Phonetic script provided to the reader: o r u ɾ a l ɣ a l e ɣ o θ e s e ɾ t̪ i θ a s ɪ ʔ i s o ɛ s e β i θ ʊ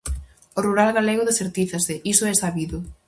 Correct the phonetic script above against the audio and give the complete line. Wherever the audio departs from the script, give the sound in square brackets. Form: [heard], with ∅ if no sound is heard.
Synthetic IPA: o r u ɾ a l ɣ a l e ɣ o [ð] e s e ɾ t̪ i θ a s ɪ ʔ i s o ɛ s [a] β i [ð] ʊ